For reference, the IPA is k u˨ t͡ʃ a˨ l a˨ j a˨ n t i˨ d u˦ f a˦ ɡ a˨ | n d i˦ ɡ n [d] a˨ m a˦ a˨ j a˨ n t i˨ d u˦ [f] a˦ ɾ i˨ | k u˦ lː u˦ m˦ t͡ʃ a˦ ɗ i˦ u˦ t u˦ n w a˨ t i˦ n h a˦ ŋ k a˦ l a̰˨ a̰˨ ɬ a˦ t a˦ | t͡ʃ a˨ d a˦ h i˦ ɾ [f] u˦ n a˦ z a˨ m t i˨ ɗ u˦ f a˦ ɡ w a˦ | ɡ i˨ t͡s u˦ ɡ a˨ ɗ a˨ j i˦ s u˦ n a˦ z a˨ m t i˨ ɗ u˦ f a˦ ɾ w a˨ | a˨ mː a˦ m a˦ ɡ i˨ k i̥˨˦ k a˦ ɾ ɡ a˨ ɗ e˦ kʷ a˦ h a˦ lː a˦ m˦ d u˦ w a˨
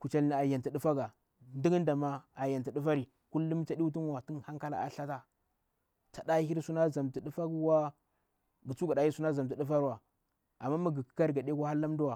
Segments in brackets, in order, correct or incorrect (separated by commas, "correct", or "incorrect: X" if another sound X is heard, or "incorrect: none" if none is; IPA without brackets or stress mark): correct, correct, incorrect: s